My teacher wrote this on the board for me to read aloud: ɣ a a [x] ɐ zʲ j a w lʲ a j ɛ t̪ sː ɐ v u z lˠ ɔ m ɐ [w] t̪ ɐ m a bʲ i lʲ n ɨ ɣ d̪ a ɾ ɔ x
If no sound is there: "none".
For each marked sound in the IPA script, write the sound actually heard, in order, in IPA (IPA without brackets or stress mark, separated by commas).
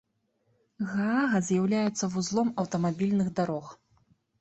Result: ɣ, w